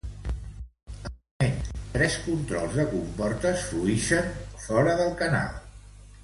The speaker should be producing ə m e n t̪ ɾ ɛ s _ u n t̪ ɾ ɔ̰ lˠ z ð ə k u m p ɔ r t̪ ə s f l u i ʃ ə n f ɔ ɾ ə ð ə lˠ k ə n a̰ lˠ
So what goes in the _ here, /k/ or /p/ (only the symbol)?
k